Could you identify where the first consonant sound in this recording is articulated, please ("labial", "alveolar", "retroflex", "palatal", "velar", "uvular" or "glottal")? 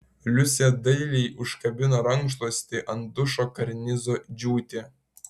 alveolar